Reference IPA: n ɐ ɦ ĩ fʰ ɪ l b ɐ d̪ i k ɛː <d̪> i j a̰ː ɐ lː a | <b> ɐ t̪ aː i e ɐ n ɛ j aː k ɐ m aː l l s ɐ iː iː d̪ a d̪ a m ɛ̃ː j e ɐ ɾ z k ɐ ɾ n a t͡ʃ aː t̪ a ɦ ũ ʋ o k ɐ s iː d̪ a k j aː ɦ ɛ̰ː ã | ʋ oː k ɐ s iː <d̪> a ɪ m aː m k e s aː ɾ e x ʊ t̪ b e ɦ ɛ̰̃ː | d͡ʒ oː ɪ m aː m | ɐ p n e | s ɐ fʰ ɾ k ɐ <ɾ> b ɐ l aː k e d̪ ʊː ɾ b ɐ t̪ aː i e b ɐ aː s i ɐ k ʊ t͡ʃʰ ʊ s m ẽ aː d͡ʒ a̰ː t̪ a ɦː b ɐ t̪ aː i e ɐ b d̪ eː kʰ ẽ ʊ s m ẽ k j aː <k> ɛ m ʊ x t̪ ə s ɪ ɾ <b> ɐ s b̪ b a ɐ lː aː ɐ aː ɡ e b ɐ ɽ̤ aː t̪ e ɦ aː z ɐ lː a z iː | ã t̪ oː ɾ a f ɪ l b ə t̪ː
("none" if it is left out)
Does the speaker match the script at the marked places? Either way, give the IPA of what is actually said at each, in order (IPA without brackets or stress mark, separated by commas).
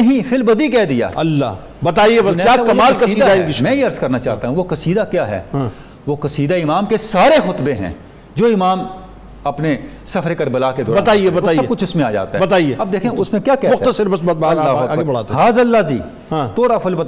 d̪, b, d̪, ɾ, k, b